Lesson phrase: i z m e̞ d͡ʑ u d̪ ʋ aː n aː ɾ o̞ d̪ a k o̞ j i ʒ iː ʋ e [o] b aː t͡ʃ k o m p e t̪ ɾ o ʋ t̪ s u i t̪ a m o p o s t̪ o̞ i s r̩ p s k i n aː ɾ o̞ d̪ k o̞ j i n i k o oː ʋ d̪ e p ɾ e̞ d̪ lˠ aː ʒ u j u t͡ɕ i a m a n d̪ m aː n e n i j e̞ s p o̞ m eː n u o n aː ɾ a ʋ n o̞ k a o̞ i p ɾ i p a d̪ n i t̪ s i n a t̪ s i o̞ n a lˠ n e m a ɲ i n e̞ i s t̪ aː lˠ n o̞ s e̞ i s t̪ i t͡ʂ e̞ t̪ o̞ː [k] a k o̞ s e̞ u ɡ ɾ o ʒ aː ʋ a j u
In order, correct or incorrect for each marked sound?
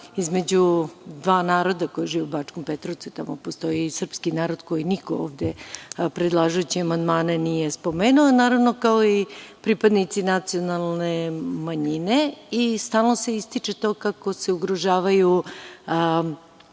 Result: incorrect: u, correct

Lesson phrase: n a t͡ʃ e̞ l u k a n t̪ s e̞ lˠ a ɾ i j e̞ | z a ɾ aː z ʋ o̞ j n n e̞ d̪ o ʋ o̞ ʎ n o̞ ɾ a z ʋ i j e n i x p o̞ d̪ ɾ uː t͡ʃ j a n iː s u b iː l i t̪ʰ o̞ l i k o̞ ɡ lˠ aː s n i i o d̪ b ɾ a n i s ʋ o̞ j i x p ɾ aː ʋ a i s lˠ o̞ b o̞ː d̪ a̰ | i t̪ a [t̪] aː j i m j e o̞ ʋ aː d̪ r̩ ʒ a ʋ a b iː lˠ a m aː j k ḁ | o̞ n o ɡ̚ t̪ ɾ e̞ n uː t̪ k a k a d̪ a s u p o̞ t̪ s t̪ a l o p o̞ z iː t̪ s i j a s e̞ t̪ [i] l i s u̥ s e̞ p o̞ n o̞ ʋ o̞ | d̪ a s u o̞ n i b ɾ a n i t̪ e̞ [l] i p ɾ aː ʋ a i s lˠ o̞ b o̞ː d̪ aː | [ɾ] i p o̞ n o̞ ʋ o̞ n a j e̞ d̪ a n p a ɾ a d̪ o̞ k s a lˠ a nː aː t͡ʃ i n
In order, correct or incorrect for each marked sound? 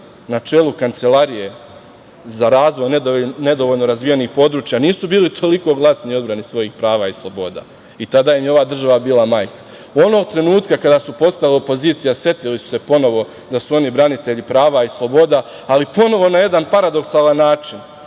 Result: incorrect: d̪, correct, incorrect: ʎ, incorrect: l

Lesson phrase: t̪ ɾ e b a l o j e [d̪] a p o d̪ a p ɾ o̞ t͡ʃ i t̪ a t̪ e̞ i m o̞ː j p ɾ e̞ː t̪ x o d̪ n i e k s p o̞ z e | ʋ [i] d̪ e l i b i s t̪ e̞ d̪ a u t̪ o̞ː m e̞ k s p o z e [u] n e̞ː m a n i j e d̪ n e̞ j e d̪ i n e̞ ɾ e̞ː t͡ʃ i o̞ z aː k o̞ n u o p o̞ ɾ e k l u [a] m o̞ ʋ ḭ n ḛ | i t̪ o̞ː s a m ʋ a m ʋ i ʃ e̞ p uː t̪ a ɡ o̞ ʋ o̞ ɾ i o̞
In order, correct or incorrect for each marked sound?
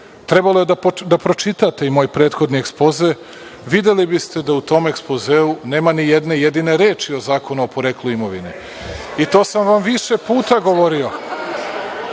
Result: correct, correct, correct, incorrect: i

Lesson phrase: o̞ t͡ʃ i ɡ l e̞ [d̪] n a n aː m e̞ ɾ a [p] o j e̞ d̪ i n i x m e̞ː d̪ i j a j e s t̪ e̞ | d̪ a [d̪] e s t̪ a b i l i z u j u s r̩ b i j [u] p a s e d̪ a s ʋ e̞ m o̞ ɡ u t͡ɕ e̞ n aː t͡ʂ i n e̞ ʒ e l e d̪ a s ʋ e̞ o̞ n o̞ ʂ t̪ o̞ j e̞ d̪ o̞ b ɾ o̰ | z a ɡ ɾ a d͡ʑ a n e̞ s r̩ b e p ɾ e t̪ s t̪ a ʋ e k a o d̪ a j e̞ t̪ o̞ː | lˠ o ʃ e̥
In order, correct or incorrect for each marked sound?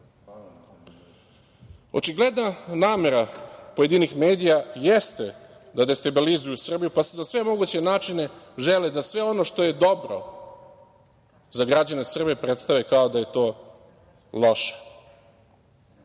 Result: correct, correct, correct, correct

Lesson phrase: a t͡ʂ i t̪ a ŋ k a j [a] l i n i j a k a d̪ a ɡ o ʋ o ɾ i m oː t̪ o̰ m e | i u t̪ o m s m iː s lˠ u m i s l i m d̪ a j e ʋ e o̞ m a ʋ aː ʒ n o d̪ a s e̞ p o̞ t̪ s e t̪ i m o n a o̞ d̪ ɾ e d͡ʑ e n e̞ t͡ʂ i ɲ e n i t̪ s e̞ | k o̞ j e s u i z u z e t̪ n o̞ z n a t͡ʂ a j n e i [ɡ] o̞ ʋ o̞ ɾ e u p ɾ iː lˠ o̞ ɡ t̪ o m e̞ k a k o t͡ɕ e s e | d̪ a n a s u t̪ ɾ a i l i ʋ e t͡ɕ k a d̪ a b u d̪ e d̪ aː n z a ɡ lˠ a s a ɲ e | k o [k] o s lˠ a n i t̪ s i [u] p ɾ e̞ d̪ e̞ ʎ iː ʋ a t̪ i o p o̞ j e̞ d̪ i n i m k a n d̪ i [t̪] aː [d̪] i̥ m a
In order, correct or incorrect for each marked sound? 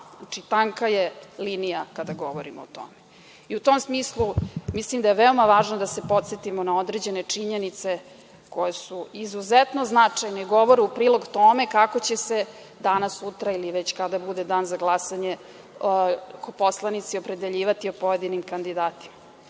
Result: incorrect: e, correct, incorrect: p, incorrect: o, incorrect: d̪, incorrect: t̪

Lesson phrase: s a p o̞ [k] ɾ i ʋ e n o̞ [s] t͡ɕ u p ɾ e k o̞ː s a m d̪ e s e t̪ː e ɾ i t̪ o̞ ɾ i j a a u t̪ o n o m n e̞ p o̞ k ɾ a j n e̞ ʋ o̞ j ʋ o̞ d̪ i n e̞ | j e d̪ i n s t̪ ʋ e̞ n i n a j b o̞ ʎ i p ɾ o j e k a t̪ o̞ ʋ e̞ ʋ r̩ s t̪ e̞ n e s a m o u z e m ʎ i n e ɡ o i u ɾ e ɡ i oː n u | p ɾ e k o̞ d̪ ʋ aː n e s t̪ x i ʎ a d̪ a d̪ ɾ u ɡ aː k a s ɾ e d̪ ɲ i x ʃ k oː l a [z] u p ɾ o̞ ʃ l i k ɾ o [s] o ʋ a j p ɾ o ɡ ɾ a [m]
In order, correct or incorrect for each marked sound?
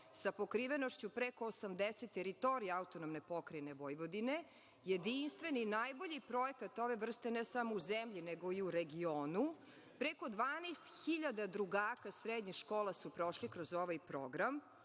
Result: correct, incorrect: ʃ, incorrect: s, incorrect: z, correct

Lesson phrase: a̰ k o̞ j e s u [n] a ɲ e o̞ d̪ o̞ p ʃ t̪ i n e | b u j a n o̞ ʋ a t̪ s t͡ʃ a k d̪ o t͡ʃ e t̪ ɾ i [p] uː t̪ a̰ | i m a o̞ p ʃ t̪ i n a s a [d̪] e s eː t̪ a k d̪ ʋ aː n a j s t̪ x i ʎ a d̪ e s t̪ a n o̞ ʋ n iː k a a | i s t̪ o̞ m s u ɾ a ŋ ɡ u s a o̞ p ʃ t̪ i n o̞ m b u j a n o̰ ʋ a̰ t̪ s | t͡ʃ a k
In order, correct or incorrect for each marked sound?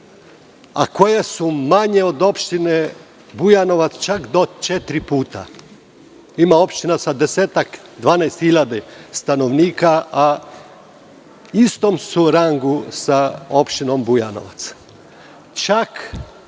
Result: incorrect: m, correct, correct

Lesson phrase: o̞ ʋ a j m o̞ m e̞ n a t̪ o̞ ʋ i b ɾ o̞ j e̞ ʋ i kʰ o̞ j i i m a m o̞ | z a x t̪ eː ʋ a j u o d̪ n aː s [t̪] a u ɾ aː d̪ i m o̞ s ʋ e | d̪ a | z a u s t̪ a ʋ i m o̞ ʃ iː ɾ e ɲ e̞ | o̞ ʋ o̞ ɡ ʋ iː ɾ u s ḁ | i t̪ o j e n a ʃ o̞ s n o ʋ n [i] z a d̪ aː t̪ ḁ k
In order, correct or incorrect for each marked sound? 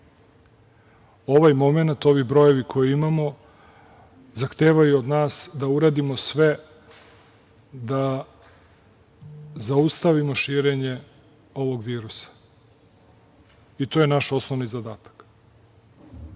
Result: incorrect: d̪, correct

